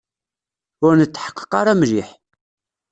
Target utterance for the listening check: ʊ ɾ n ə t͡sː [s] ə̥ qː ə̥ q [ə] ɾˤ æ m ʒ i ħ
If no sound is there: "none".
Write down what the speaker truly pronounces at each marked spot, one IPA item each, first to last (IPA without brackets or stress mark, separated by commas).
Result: ħ, ɑ